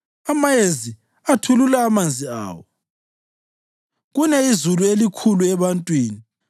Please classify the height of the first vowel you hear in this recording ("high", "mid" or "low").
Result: low